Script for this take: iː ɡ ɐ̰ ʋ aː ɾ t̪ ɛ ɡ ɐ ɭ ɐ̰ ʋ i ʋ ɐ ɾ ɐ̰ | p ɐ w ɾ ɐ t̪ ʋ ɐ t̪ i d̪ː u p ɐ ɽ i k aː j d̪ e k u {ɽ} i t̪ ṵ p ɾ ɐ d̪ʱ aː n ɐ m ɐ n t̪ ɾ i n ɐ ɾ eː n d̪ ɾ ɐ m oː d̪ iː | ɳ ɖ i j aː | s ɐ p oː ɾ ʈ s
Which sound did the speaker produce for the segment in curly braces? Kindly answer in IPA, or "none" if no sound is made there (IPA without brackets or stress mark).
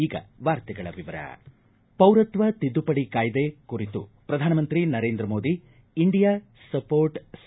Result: ɾ